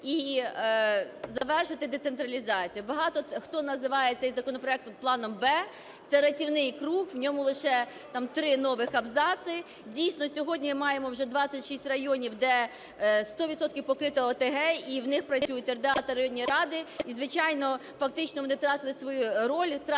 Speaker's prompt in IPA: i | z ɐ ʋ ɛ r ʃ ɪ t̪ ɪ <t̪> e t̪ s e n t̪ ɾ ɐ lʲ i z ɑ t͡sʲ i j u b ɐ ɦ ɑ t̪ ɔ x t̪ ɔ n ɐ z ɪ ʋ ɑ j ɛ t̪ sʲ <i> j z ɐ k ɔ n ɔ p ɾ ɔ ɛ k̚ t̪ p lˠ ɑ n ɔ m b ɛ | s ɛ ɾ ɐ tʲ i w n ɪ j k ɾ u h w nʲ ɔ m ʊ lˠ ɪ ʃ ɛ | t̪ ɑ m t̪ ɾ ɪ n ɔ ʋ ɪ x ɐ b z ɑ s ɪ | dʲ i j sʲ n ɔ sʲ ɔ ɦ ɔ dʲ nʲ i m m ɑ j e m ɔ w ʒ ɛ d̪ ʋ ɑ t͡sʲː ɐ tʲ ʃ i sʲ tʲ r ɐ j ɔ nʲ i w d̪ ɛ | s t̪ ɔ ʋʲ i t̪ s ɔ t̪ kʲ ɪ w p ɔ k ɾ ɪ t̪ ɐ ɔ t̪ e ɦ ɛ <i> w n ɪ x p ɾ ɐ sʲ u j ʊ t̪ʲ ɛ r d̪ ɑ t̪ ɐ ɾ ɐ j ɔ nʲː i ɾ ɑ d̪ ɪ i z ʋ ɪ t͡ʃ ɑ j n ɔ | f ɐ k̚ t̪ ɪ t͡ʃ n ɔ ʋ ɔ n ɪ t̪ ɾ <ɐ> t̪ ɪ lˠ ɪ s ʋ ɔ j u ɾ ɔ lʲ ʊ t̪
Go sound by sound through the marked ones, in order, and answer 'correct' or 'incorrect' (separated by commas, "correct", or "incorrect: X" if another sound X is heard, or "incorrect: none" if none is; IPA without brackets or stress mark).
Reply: incorrect: d̪, incorrect: ɛ, correct, incorrect: ɑ